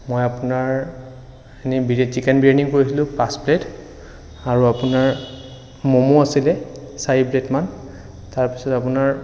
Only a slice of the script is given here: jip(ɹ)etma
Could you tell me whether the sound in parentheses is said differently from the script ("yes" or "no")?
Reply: yes